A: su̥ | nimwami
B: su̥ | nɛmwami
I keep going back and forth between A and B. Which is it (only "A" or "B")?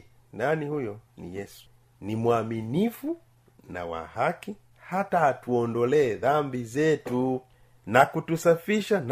A